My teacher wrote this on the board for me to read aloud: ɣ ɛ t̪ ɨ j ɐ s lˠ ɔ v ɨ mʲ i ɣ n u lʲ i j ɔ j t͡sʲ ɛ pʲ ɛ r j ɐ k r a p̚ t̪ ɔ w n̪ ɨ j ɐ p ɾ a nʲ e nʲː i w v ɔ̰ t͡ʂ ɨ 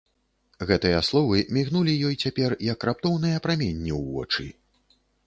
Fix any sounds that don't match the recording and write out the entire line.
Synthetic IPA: ɣ ɛ t̪ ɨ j ɐ s lˠ ɔ v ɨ mʲ i ɣ n u lʲ i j ɔ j t͡sʲ a pʲ ɛ r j ɐ k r a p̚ t̪ ɔ w n̪ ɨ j ɐ p ɾ a mʲ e nʲː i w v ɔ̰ t͡ʂ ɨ